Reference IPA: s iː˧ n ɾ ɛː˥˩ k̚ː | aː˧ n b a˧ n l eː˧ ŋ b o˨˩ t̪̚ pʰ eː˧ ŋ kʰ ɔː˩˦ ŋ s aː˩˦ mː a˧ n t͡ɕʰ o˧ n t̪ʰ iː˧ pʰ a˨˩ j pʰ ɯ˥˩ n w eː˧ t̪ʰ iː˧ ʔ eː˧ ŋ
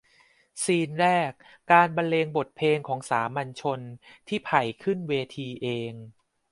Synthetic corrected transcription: s iː˧ n ɾ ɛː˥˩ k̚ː | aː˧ n b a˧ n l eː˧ ŋ b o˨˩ t̪̚ pʰ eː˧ ŋ kʰ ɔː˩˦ ŋ s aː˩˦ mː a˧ n t͡ɕʰ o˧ n t̪ʰ iː˥˩ pʰ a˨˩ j kʰ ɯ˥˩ n w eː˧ t̪ʰ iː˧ ʔ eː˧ ŋ

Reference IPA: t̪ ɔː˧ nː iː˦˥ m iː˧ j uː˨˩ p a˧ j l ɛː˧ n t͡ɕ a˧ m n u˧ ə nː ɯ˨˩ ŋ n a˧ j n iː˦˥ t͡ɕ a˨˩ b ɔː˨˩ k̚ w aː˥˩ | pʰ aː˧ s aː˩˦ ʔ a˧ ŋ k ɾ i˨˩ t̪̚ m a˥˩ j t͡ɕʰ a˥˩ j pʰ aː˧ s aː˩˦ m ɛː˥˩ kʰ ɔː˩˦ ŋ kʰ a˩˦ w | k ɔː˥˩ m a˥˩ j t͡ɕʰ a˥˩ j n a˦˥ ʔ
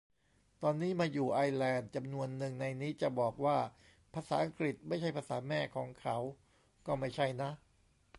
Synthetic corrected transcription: t̪ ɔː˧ nː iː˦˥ m aː˧ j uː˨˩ ʔ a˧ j l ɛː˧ n t͡ɕ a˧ m n u˧ ə nː ɯ˨˩ ŋ n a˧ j n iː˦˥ t͡ɕ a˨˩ b ɔː˨˩ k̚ w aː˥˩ | pʰ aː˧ s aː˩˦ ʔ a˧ ŋ k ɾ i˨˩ t̪̚ m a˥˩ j t͡ɕʰ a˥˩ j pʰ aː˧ s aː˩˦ m ɛː˥˩ kʰ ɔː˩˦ ŋ kʰ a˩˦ w | k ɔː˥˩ m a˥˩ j t͡ɕʰ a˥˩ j n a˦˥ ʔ

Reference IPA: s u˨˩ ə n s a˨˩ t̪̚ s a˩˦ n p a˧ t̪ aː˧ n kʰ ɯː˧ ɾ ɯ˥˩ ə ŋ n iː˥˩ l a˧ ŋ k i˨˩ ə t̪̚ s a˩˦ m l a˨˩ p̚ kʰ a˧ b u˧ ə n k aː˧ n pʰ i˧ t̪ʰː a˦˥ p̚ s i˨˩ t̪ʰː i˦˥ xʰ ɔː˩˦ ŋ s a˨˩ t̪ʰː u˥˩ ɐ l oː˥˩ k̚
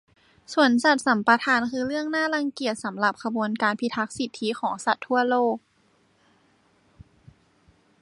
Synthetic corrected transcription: s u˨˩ ə n s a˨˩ t̪̚ s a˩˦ m p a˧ t̪ʰ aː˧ n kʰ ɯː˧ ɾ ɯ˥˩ ə ŋ n aː˥˩ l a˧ ŋ k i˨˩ ə t̪̚ s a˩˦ m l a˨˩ p̚ kʰ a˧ b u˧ ə n k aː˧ n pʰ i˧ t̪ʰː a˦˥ k̚ s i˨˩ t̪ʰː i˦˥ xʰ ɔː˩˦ ŋ s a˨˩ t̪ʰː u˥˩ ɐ l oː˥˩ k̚

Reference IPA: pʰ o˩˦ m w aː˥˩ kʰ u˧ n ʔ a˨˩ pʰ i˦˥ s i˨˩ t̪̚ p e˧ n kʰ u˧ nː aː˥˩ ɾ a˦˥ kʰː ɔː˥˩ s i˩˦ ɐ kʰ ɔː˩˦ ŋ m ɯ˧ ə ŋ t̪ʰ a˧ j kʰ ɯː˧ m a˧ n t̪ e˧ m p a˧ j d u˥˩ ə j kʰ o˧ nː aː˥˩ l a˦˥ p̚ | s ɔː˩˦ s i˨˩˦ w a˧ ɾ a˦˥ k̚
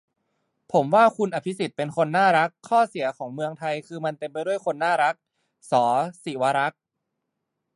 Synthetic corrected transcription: pʰ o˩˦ m w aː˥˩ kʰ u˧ n ʔ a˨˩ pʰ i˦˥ s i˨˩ t̪̚ p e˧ n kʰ o˧ nː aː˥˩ ɾ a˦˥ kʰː ɔː˥˩ s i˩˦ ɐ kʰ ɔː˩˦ ŋ m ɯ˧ ə ŋ t̪ʰ a˧ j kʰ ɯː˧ m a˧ n t̪ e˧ m p a˧ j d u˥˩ ə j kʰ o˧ nː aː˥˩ ɾ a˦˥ k̚ | s ɔː˩˦ s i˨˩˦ w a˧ ɾ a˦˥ k̚

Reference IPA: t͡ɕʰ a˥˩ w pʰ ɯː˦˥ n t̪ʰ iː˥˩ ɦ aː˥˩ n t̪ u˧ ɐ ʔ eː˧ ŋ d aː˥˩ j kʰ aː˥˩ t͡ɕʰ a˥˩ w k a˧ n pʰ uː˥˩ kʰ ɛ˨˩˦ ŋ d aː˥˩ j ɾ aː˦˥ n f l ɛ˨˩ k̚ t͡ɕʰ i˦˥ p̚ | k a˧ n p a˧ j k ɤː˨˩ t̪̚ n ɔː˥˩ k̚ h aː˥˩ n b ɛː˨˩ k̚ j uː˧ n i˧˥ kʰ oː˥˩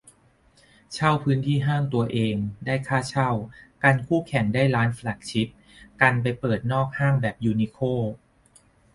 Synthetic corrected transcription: t͡ɕʰ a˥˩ w pʰ ɯː˦˥ n t̪ʰ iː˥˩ ɦ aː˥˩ ŋ t̪ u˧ ɐ ʔ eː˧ ŋ d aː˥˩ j kʰ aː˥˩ t͡ɕʰ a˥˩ w k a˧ n kʰ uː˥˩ kʰ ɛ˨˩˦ ŋ d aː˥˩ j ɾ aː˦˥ n f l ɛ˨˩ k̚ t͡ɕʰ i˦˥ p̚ | k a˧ n p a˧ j p ɤː˨˩ t̪̚ n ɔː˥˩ k̚ h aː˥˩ ŋ b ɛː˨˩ p̚ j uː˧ n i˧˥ kʰ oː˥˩

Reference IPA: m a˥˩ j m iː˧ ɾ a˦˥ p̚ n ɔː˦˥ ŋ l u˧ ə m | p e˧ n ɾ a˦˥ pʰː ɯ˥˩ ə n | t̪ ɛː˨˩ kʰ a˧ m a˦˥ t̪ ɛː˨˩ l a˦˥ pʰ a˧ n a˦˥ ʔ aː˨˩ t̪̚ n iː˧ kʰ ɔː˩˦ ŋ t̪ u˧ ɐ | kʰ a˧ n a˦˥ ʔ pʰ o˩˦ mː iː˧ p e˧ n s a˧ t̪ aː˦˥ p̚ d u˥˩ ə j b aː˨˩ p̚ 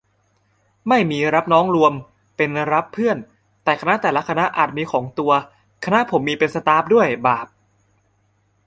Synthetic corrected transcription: m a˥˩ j m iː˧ ɾ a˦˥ p̚ n ɔː˦˥ ŋ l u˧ ə m | p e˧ n ɾ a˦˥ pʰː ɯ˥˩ ə n | t̪ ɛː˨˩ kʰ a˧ n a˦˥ t̪ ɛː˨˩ l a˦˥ kʰ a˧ n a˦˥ ʔ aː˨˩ t̪̚ m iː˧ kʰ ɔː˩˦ ŋ t̪ u˧ ɐ | kʰ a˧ n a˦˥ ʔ pʰ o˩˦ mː iː˧ p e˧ n s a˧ t̪ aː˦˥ p̚ d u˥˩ ə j b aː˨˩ p̚

